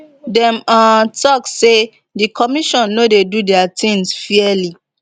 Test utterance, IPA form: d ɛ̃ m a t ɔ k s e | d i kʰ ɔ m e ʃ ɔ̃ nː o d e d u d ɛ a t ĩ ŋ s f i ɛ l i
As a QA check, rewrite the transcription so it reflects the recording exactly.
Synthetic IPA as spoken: d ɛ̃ m a t ɔ k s e | d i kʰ ɔ m i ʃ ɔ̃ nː o d e d u d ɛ a t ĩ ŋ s f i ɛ l i

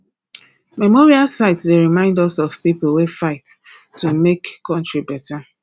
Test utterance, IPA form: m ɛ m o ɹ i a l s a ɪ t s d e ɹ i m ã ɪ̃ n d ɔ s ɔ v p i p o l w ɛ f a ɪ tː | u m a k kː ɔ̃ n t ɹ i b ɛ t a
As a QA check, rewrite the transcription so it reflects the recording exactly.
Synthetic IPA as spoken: m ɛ m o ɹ i a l s a ɪ t s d e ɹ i m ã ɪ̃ n d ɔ s ɔ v p i p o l w e f a ɪ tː | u m e k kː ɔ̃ n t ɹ i b ɛ t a

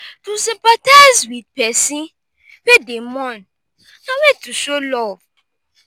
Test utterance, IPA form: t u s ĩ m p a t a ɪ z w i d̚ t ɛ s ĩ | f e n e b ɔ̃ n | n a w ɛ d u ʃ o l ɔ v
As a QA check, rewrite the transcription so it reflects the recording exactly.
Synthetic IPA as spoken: t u s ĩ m p a t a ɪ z w i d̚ p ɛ s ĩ | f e d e m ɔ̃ n | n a w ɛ t u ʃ o l ɔ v

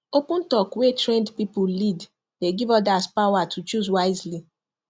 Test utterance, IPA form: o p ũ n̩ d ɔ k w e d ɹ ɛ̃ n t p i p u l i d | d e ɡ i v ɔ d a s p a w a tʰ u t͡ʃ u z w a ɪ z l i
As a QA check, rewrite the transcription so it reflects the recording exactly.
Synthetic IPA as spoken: o p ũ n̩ t ɔ k w e t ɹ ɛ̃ n d p i p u l i d | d e ɡ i v ɔ d a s p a w a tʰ u t͡ʃ u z w a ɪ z l i

